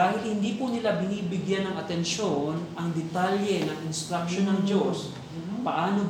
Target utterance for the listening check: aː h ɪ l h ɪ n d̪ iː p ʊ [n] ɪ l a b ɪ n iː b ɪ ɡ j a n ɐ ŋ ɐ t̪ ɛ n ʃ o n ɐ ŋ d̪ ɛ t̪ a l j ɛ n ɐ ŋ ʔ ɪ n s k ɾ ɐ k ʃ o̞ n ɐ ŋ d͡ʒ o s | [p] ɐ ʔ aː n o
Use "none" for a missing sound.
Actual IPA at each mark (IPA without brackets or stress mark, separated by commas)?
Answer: n, p